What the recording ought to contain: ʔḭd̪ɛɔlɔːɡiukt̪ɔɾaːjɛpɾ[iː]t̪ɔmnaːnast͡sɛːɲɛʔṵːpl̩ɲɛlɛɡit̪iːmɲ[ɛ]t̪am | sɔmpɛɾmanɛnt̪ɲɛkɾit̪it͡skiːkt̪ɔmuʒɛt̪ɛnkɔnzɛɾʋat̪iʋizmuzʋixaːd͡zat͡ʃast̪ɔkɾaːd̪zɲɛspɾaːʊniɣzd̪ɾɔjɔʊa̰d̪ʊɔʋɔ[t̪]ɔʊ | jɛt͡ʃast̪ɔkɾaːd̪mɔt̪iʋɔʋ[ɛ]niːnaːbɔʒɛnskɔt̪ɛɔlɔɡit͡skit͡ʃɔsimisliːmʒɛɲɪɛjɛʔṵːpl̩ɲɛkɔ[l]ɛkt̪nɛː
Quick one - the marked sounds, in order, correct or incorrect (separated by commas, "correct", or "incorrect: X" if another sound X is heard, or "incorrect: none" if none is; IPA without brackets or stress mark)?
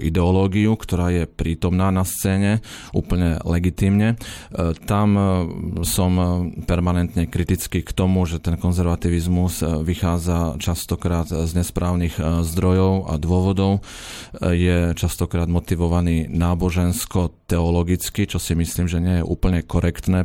correct, correct, incorrect: d̪, incorrect: a, incorrect: ɾ